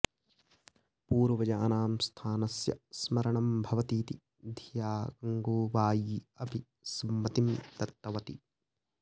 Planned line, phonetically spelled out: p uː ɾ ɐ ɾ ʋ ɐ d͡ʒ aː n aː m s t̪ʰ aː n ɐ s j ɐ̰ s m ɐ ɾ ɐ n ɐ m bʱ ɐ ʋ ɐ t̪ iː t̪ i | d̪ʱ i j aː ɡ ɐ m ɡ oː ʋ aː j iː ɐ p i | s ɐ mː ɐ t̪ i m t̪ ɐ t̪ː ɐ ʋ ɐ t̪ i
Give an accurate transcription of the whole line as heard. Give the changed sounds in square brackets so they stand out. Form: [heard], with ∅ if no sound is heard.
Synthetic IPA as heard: p uː ɾ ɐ [∅] ʋ ɐ d͡ʒ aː n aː m s t̪ʰ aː n ɐ s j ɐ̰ s m ɐ ɾ ɐ [ɳ] ɐ m bʱ ɐ ʋ ɐ t̪ iː t̪ i | d̪ʱ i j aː ɡ ɐ [ŋ] ɡ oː ʋ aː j iː ɐ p i | s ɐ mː ɐ t̪ i m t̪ ɐ t̪ː ɐ ʋ ɐ t̪ i